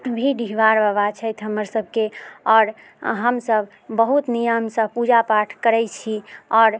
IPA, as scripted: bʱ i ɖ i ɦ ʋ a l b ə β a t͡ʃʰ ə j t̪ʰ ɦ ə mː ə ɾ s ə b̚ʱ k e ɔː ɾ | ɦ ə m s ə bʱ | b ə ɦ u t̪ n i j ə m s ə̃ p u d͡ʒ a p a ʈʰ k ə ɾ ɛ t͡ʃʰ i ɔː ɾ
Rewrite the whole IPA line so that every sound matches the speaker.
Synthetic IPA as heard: bʱ i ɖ i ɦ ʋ a ɾ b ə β a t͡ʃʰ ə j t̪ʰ ɦ ə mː ə ɾ s ə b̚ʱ k e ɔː ɾ | ɦ ə m s ə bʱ | b ə ɦ u t̪ n i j ə m s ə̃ p u d͡ʒ a p a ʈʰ k ə ɾ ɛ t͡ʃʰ i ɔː ɾ